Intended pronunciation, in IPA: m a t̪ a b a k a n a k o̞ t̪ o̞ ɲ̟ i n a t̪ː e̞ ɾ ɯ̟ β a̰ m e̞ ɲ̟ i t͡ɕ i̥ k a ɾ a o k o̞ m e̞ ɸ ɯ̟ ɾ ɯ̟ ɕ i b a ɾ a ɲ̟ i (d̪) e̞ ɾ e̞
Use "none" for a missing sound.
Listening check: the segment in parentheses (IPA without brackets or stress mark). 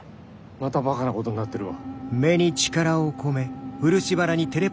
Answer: t̪